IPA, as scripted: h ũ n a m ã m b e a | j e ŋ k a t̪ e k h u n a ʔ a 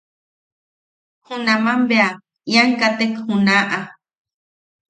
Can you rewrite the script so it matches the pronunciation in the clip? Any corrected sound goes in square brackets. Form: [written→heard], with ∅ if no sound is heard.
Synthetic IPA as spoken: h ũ n a m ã m b e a | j [e→a] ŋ k a t̪ e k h u n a ʔ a